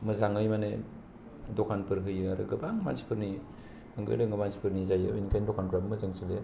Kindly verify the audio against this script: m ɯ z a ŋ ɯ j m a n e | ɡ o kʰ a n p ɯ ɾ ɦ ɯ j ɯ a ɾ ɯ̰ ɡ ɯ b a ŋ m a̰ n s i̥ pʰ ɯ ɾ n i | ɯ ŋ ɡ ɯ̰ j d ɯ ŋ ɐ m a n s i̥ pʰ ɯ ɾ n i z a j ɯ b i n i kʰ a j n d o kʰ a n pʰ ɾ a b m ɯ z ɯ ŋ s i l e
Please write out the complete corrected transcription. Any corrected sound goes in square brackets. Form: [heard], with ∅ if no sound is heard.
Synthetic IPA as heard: m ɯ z a ŋ ɯ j m a n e | [d] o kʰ a n p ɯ ɾ ɦ ɯ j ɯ a ɾ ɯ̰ ɡ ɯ b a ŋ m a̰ n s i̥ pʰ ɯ ɾ n i | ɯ ŋ ɡ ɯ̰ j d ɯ ŋ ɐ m a n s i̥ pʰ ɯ ɾ n i z a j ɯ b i n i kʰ a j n d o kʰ a n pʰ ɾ a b m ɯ z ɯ ŋ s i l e